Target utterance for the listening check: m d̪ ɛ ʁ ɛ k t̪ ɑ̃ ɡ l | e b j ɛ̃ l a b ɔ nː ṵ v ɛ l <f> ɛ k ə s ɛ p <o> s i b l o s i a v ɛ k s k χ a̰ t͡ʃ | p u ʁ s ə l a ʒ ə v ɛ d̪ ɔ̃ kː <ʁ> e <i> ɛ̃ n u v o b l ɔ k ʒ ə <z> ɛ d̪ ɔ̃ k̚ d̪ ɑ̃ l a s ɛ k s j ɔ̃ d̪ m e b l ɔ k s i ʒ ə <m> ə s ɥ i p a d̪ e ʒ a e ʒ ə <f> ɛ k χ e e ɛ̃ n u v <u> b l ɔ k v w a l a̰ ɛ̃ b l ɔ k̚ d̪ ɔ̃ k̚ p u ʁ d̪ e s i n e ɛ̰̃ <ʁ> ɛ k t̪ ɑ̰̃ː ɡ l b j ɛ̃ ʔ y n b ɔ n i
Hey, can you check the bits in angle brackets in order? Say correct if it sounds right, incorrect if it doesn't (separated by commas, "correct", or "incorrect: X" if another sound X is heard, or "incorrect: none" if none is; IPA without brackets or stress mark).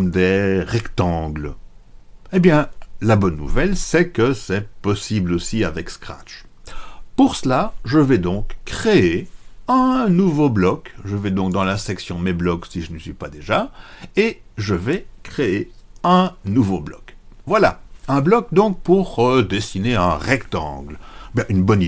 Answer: incorrect: s, incorrect: ɔ, incorrect: χ, incorrect: e, incorrect: v, incorrect: n, incorrect: v, incorrect: o, correct